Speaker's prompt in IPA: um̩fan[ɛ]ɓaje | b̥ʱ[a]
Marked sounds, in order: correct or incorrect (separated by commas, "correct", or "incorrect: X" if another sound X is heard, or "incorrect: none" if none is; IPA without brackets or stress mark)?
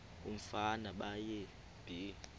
incorrect: a, incorrect: i